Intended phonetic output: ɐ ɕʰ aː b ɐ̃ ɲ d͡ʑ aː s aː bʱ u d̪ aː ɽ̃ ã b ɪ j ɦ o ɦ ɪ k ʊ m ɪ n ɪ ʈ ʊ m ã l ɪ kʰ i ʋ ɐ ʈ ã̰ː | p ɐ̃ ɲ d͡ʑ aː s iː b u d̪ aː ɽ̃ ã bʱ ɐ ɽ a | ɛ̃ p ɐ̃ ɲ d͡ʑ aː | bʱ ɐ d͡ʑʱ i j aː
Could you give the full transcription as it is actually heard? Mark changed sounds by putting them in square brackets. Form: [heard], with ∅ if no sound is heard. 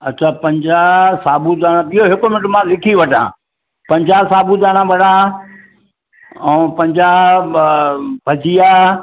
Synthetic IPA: ɐ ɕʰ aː [p] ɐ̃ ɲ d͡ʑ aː s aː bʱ u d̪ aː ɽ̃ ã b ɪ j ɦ o ɦ ɪ k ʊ m ɪ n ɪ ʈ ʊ m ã l ɪ kʰ i ʋ ɐ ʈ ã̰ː | p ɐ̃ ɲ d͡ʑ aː s [aː] b u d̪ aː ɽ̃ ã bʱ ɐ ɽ a | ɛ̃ p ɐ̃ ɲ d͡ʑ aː | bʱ ɐ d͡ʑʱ i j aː